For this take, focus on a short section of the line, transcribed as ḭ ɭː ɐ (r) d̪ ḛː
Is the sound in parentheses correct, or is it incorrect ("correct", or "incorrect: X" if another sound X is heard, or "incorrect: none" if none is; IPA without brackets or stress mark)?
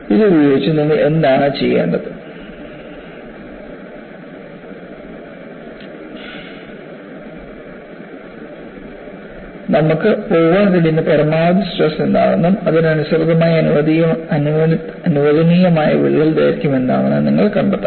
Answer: incorrect: l